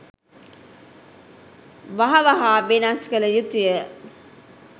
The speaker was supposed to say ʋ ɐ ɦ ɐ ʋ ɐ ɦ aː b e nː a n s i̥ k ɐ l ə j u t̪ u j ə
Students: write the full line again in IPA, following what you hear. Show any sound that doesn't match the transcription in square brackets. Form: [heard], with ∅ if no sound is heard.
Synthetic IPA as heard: ʋ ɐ ɦ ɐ ʋ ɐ ɦ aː b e [n] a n s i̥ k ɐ l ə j u t̪ u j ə